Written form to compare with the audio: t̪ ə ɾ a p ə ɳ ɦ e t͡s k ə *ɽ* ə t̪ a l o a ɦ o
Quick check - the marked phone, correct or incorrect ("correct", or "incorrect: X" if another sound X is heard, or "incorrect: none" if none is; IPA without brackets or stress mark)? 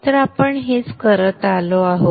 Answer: incorrect: ɾ